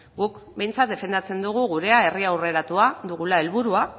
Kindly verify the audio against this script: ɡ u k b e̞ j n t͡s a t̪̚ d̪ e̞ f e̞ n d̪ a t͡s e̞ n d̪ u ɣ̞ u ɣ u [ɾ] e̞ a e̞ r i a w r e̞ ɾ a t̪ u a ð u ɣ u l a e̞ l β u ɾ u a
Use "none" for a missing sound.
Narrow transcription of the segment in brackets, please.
ɾ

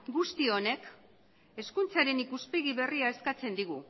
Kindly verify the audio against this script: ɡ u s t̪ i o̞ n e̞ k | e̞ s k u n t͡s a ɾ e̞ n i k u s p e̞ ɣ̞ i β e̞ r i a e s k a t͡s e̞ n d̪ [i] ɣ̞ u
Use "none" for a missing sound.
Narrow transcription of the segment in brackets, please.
i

